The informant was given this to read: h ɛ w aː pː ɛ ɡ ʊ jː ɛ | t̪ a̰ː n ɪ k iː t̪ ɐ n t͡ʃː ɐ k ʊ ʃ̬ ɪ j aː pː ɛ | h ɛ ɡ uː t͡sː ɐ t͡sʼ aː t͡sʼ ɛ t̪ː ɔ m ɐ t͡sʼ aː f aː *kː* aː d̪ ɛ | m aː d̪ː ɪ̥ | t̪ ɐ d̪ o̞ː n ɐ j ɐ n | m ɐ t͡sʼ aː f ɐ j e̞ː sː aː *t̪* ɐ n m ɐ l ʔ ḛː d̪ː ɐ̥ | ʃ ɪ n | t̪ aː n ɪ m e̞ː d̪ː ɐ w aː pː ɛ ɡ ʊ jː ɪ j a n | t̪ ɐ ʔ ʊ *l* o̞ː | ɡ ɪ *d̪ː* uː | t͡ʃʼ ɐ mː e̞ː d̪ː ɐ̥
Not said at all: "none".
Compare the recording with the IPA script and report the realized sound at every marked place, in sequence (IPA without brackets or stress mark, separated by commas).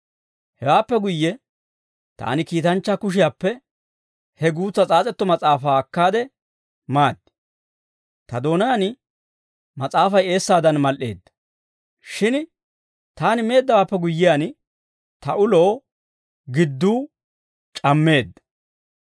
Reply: kː, d̪, l, d̪ː